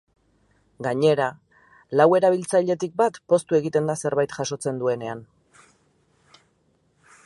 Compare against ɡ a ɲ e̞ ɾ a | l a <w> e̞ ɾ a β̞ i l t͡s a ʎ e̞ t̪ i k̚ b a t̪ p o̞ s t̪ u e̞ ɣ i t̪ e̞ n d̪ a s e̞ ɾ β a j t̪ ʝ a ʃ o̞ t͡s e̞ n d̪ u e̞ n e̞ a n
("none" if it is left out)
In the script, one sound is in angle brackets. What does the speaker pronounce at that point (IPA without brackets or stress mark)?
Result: w